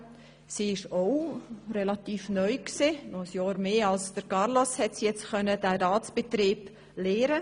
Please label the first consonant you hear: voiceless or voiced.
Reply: voiceless